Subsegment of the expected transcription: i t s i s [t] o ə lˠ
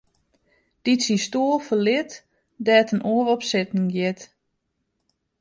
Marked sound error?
no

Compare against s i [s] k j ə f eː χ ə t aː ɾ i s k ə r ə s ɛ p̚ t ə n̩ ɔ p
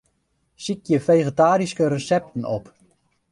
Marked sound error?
yes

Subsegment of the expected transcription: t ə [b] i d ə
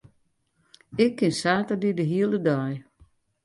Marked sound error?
yes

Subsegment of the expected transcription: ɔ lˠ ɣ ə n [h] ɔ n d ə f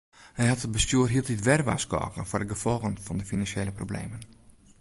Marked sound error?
yes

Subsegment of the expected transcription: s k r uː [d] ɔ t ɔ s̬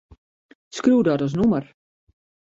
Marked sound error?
no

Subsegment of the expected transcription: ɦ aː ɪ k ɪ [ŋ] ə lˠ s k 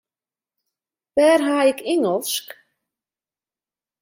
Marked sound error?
no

